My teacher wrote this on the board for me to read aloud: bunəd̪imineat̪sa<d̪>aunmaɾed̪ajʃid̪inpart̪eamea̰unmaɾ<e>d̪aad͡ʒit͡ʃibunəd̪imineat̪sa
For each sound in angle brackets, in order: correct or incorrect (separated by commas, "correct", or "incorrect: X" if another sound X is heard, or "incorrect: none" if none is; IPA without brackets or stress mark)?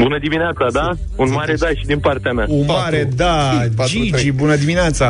correct, correct